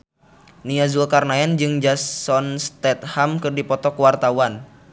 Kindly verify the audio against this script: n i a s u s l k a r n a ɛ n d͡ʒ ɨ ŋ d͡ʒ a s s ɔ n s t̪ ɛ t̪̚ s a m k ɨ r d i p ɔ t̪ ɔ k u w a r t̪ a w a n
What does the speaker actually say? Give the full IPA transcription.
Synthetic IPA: n i a z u l k a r n a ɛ n d͡ʒ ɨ ŋ d͡ʒ a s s ɔ n s t̪ ɛ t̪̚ h a m k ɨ r d i p ɔ t̪ ɔ k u w a r t̪ a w a n